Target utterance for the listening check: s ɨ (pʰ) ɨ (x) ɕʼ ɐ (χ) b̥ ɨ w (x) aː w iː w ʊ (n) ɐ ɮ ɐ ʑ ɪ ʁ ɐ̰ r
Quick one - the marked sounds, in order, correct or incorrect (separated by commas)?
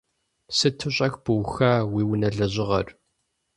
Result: incorrect, incorrect, incorrect, correct, correct